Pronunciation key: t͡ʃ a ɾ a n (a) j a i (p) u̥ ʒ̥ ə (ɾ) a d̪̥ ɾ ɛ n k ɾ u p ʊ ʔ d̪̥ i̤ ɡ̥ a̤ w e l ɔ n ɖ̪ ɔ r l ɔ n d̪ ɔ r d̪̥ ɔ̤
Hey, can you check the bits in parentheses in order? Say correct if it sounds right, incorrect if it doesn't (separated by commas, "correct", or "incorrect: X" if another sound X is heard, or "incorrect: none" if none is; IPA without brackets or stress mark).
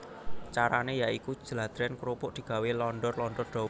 incorrect: e, incorrect: k, incorrect: l